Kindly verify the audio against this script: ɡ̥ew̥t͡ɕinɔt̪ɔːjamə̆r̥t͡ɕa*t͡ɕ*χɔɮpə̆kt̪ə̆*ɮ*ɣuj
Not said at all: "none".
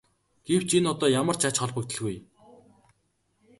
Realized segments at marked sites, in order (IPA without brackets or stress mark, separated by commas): t͡ɕ, ɮ